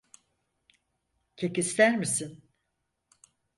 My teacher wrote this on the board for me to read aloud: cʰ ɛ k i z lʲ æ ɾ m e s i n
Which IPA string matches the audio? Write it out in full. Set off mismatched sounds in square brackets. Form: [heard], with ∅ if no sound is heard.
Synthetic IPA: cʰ [e] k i [s] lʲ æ ɾ m [i] s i n